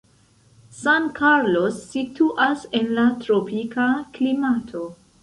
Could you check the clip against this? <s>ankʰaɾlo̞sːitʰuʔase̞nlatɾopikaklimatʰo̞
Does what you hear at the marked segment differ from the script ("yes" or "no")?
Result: no